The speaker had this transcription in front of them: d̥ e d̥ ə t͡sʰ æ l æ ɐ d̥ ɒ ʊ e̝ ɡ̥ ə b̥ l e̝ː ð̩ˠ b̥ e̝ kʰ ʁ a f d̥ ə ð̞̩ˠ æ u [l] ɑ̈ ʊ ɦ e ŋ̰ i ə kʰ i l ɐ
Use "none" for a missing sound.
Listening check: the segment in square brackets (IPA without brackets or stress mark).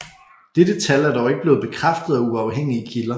none